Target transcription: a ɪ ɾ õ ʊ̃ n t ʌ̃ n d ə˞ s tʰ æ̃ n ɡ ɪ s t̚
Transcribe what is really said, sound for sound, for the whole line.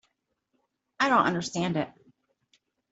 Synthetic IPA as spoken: a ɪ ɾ õ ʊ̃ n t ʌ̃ n d ə˞ s t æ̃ n d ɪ t̚

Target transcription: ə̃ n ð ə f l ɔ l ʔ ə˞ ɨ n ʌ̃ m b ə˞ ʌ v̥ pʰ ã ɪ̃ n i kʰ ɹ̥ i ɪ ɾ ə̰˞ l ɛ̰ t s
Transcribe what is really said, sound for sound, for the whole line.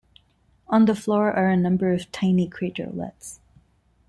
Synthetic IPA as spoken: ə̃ n ð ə f l ɔ ɹ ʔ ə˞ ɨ n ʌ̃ m b ə˞ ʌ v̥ tʰ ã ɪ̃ n i kʰ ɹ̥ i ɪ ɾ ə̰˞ l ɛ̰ t s

